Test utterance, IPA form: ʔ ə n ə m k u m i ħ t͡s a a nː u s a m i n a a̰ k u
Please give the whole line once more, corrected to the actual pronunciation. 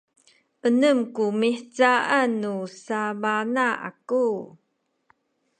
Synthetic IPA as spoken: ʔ ə n ə m k u m i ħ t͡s a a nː u s a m a n a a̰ k u